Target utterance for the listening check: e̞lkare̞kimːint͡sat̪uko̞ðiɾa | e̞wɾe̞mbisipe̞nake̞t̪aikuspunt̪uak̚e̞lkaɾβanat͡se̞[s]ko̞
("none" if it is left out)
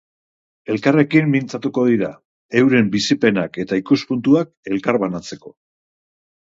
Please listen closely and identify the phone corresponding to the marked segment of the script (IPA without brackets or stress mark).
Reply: none